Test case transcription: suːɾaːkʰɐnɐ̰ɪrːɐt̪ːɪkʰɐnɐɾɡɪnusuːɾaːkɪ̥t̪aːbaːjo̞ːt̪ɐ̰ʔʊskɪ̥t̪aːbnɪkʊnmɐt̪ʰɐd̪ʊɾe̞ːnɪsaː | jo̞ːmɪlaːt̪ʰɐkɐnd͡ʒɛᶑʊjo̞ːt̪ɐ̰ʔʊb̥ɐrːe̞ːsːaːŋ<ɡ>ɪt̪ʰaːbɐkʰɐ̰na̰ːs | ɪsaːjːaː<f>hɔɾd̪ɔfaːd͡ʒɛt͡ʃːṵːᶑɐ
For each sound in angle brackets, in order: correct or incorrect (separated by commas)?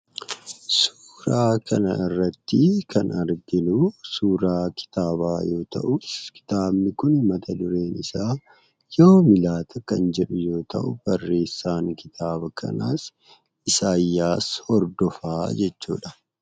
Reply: incorrect, incorrect